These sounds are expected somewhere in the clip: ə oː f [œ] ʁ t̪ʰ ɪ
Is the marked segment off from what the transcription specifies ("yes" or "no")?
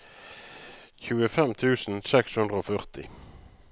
no